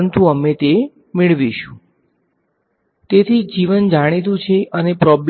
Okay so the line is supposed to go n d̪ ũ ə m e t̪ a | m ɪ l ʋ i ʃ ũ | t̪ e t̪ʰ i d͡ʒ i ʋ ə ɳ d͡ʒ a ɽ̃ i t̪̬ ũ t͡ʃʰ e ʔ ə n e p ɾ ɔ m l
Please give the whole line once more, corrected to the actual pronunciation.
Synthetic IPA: n t̪ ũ ə m e t̪ e | m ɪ ɭ ʋ i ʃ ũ | t̪ e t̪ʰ i d͡ʒ i ʋ ə n d͡ʒ a ɽ̃ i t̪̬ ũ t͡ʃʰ e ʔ ə n e p ɾ ɔ b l

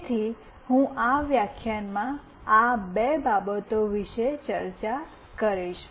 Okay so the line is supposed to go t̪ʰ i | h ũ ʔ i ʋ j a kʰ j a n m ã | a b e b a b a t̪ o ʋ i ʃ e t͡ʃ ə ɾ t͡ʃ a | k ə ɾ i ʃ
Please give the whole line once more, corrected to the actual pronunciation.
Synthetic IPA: t̪ʰ i | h ũ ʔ a ʋ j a kʰ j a n m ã | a b e b a b ə t̪ o ʋ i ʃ e t͡ʃ ə ɾ t͡ʃ a | k ə ɾ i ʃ

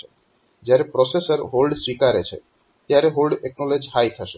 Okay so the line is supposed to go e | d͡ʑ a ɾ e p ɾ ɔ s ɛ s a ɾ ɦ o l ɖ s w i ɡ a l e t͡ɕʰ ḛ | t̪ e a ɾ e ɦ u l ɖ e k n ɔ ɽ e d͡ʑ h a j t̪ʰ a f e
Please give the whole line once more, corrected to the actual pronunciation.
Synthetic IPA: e | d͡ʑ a ɾ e p ɾ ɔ s e s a ɾ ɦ o l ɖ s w i k a ɾ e t͡ɕʰ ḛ | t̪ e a ɾ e ɦ o l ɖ e k n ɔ l e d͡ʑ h a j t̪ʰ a ʃ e

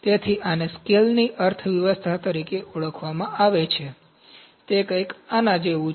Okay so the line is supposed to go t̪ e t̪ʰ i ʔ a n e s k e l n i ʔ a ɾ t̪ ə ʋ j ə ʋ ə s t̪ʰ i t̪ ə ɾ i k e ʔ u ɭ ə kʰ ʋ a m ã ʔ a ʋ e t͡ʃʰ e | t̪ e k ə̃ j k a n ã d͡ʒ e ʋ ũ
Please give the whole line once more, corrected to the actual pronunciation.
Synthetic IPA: t̪ e t̪ʰ i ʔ a n e s k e l n i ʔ ə ɾ t̪ʰ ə ʋ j ə ʋ ə s t̪ʰ a t̪ ə ɾ i k e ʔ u ɭ ə kʰ ʋ a m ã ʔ a ʋ e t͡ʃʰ e | t̪ e k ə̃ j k a n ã d͡ʒ e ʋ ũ

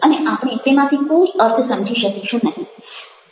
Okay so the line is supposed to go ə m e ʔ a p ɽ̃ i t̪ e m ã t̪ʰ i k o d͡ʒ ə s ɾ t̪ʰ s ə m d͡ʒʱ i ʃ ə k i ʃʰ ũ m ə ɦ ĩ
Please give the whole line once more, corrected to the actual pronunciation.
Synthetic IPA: ə n e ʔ a p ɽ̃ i t̪ e m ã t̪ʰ i k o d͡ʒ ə ɾ t̪ʰ s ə m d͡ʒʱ i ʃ ə k i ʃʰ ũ n ə ɦ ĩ

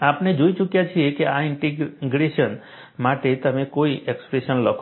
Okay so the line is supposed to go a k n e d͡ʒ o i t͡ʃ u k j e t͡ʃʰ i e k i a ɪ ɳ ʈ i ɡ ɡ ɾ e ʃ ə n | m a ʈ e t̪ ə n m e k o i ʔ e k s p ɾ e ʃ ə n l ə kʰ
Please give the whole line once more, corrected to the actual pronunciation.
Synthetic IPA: a p n e d͡ʒ o i t͡ʃ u k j a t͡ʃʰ i e k e a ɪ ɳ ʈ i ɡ ɡ ɾ e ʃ ə n | m a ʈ e t̪ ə m e k o i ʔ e k s p ɾ e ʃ ə n l ə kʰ

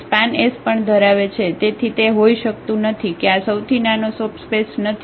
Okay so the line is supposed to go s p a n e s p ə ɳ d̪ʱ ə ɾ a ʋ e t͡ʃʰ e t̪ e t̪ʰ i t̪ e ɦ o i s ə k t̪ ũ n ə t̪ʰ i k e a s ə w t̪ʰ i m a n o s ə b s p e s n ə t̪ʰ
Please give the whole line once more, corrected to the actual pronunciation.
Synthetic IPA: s p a n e s p ə ɳ d̪ʱ ə ɾ a ʋ e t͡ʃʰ e t̪ e t̪ʰ i t̪ e ɦ o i ʃ ə k t̪ ũ n ə t̪ʰ i k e a s ə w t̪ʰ i n a n o s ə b s p e s n ə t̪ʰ

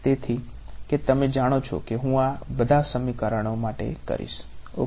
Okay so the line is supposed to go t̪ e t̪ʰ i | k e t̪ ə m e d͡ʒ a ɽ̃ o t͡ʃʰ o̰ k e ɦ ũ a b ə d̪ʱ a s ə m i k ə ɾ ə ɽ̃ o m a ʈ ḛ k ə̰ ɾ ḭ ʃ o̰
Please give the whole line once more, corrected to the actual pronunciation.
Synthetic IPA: t̪ e t̪ʰ i | k e t̪ ə m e d͡ʒ a ɽ̃ o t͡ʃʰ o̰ k e ɦ ũ a b ə d̪ʱ a s ə m i k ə ɾ ə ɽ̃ o m a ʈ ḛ k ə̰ ɾ ḭ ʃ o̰

